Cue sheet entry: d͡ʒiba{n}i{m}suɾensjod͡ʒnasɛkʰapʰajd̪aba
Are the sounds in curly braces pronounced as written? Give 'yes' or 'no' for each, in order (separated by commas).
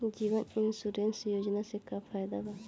yes, no